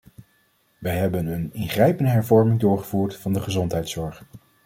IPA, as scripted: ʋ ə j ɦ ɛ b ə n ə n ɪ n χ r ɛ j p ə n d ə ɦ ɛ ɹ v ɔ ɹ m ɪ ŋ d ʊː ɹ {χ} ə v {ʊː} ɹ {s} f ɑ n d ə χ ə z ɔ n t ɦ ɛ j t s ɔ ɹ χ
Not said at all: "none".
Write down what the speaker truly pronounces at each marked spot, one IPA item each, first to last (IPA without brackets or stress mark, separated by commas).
χ, uː, t